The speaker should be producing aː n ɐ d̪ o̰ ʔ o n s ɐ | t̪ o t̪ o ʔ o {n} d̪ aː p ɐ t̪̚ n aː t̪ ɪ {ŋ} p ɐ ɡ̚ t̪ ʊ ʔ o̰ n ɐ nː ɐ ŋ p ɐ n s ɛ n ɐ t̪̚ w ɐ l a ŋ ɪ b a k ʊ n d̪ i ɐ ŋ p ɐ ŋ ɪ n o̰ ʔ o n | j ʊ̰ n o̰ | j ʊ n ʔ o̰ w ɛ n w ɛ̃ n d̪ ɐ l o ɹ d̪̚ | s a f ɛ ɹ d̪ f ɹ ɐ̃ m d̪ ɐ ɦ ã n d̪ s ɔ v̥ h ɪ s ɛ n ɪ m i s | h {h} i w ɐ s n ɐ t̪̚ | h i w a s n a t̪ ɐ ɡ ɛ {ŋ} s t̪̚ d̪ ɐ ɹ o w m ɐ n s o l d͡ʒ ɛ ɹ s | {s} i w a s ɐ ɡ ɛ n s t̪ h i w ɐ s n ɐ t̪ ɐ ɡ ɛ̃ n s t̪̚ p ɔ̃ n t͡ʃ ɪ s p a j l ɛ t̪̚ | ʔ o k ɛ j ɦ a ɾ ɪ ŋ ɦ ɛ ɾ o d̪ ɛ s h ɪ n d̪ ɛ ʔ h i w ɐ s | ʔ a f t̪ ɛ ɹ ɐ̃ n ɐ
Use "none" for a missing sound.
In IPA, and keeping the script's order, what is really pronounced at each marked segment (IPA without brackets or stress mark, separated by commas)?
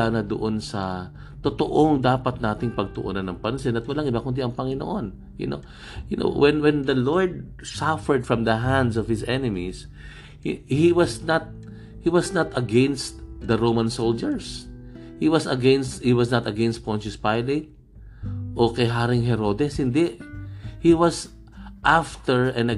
ŋ, ŋ, h, n, h